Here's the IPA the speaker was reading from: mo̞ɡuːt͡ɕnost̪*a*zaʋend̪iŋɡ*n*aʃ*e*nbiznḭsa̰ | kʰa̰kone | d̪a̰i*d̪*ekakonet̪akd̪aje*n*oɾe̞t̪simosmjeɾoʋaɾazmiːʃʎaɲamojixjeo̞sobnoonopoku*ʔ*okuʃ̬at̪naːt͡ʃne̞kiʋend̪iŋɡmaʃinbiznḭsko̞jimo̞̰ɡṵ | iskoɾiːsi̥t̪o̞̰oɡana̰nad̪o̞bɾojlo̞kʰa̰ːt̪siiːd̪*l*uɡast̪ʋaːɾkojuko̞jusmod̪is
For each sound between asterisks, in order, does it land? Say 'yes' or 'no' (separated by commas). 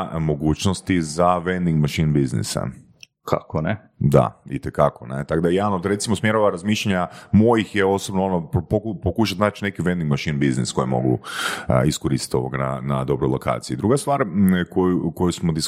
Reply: no, no, no, no, yes, no, no